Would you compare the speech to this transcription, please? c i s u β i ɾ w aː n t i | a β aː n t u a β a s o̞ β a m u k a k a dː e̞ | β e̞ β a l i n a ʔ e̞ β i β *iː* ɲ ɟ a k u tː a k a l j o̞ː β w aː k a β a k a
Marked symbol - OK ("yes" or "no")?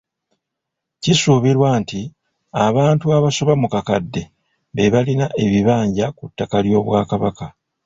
no